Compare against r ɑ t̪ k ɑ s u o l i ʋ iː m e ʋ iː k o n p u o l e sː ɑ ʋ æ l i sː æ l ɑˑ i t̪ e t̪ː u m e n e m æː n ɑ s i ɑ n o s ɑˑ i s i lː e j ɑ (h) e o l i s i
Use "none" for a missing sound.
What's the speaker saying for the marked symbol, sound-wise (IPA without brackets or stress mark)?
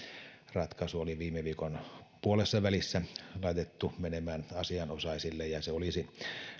s